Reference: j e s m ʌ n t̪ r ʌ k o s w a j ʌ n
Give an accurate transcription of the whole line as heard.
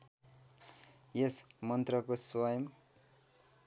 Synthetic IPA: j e s m ʌ n t̪ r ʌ k o s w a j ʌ m